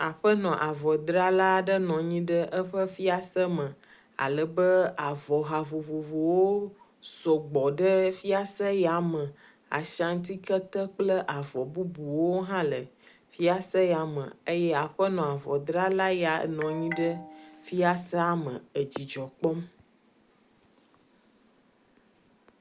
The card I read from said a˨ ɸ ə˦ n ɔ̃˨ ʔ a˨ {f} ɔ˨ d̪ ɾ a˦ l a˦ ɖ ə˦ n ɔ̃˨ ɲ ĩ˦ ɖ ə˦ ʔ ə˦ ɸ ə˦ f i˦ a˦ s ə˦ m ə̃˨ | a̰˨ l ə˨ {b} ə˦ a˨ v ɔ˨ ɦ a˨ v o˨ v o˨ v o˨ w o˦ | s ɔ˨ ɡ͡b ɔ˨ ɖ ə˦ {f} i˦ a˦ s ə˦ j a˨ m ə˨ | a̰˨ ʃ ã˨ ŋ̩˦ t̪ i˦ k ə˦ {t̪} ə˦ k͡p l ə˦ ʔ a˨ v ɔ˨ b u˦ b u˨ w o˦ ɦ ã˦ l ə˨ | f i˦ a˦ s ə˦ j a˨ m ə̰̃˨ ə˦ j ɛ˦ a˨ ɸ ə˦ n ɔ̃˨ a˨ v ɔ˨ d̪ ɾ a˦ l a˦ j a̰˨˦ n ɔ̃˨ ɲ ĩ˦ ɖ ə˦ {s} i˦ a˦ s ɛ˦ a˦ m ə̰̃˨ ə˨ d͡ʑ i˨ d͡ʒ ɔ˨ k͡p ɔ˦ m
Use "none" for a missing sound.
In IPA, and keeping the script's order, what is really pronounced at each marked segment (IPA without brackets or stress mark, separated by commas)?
v, b, f, t̪, f